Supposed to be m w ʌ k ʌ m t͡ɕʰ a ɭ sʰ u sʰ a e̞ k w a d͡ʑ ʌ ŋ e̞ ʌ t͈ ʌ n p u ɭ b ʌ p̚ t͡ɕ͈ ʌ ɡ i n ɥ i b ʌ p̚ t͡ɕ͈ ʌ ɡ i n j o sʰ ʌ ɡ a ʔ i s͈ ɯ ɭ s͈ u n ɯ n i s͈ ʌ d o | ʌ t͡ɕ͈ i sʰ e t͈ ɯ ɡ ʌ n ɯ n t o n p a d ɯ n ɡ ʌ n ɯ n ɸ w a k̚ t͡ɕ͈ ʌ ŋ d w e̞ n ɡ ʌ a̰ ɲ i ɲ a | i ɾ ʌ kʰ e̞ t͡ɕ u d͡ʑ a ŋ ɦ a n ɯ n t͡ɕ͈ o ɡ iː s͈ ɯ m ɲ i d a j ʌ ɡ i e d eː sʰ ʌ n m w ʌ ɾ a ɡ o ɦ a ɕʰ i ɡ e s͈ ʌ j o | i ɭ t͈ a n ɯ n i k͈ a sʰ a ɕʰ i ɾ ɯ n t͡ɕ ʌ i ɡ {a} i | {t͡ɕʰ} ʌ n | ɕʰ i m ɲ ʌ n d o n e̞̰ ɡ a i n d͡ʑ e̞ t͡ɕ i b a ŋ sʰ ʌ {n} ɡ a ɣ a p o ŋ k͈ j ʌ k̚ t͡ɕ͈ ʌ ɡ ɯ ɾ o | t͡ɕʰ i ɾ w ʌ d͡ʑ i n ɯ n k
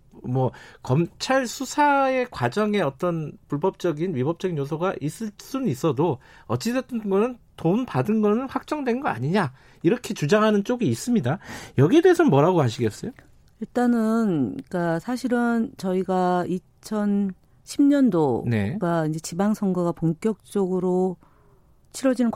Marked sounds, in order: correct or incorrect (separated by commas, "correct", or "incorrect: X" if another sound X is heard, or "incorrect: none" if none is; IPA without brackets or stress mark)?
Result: correct, correct, incorrect: ŋ